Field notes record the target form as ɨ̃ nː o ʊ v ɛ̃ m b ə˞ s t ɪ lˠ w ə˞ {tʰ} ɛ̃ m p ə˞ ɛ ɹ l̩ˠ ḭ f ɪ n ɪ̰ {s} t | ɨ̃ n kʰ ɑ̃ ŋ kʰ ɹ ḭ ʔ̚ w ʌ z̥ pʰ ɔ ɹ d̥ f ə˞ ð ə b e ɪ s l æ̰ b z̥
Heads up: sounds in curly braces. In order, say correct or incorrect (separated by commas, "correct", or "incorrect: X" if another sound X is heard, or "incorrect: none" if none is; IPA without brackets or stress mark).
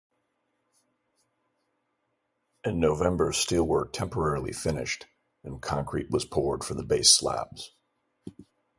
correct, incorrect: ʃ